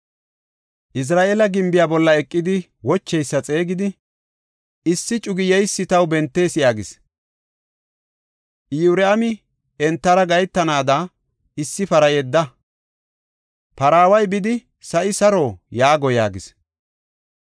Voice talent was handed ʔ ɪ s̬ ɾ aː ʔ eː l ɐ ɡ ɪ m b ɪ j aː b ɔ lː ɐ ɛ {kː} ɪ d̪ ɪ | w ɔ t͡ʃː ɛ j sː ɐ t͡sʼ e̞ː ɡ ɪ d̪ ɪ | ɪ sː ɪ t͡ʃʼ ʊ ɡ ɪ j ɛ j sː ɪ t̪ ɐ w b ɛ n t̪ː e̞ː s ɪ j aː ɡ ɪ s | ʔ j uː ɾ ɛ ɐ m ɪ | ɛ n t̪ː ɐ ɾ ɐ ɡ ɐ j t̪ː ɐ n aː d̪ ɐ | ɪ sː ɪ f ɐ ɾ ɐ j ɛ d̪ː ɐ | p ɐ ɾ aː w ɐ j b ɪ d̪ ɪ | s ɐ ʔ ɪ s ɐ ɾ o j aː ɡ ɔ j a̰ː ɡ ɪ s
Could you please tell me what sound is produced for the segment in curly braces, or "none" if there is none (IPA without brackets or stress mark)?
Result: kʼː